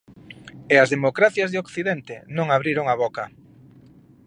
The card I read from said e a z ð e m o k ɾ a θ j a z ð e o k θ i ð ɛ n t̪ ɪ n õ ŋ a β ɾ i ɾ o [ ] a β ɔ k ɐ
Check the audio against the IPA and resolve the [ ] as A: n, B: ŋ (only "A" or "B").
B